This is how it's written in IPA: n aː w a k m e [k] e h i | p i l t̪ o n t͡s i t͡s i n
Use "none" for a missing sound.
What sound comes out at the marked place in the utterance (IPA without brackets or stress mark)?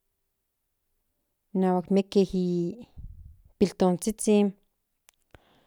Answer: k